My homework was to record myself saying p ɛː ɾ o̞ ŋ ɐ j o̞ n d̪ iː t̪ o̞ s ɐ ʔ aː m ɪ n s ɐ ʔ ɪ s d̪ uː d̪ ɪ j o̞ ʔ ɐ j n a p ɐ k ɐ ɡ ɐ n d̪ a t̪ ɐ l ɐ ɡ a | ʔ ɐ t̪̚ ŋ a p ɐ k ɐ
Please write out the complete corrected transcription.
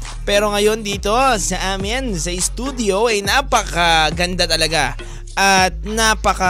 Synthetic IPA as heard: p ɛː ɾ o̞ ŋ ɐ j o̞ n d̪ iː t̪ o̞ s ɐ ʔ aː m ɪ n s ɐ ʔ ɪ s t̪ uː d̪ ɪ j o̞ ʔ ɐ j n a p ɐ k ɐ ɡ ɐ n d̪ a t̪ ɐ l ɐ ɡ a | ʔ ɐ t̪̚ n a p ɐ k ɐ